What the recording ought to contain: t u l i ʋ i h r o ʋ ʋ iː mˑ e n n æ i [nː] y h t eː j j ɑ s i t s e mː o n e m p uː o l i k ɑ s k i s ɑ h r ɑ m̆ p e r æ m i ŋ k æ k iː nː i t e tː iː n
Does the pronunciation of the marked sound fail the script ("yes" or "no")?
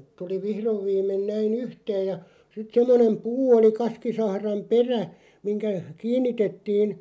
yes